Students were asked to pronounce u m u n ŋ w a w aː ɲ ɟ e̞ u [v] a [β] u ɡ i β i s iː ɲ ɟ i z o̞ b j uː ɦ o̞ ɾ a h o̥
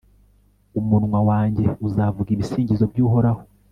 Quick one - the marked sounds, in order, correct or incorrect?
incorrect, incorrect

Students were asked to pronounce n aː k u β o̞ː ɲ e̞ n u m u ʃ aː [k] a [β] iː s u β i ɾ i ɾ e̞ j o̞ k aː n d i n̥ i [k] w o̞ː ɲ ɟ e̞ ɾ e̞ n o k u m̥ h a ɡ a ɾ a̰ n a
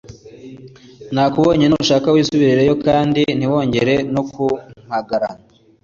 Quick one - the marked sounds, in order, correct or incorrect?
correct, incorrect, incorrect

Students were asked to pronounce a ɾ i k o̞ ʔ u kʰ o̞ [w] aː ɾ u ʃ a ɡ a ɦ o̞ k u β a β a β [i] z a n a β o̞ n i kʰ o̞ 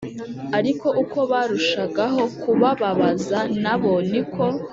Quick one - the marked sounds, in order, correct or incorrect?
incorrect, incorrect

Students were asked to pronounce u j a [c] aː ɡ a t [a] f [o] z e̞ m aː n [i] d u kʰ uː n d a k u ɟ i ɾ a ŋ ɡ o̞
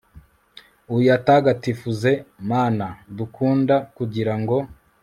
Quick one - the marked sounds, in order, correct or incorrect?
incorrect, incorrect, incorrect, incorrect

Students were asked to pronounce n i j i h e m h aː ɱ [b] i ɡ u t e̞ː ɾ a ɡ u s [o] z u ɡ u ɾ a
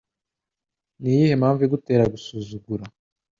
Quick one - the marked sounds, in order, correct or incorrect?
incorrect, incorrect

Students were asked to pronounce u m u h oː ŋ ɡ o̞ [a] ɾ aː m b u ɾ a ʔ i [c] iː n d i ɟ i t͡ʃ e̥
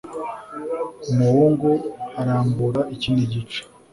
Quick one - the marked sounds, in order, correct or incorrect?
correct, correct

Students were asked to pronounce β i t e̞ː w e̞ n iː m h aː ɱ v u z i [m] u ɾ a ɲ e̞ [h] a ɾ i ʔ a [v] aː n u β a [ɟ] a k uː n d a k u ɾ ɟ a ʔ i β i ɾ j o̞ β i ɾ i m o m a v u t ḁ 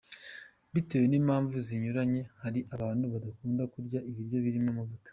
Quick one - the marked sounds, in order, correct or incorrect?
incorrect, correct, incorrect, incorrect

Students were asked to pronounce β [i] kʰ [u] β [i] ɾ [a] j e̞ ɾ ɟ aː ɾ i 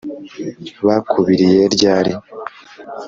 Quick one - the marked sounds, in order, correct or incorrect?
incorrect, correct, correct, incorrect

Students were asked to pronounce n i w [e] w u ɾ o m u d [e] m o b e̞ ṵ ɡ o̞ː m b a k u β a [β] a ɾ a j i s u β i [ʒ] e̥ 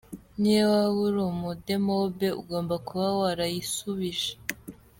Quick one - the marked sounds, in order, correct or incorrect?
incorrect, correct, incorrect, correct

